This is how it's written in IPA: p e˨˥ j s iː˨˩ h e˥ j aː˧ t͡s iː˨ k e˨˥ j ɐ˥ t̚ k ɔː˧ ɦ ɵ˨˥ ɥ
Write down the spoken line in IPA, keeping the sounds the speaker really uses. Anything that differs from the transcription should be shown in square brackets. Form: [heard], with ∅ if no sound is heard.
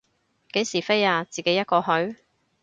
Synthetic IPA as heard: [k] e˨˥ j s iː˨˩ [f] e˥ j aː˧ t͡s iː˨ k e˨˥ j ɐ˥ t̚ k ɔː˧ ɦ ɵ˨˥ ɥ